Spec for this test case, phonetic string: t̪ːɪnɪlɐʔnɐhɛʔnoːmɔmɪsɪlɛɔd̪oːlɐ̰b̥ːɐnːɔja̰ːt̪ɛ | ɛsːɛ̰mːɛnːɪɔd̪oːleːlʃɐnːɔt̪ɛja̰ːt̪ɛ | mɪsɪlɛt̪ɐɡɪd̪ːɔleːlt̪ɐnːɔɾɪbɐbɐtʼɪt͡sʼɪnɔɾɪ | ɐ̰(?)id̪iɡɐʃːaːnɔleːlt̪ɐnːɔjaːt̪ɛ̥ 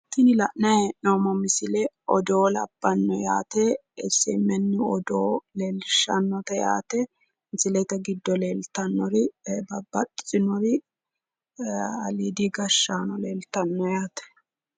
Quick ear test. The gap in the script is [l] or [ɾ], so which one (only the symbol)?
l